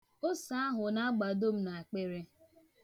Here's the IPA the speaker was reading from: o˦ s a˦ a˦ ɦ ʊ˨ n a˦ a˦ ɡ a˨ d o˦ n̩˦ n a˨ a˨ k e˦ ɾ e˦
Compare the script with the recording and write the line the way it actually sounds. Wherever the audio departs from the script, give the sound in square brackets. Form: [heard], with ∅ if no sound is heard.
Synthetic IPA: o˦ s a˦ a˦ ɦ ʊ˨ n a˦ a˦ [ɡ͡b] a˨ d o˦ [m̩˦] n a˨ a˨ [k͡p] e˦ ɾ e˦